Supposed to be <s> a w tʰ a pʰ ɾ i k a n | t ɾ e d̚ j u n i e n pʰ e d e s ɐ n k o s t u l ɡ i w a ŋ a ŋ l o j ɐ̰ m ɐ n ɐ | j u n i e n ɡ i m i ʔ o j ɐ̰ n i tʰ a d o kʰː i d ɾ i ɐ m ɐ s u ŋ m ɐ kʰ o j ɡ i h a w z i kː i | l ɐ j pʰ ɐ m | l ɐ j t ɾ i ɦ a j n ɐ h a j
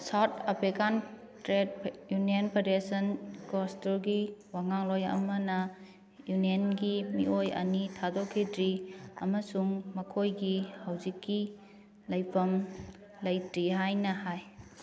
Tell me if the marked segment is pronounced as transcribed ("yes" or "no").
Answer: yes